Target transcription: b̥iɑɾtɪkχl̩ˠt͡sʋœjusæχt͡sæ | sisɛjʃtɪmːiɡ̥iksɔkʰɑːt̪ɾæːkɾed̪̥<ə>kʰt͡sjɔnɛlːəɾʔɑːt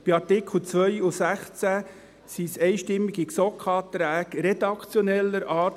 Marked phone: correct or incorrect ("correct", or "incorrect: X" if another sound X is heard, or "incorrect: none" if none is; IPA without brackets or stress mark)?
incorrect: ɑ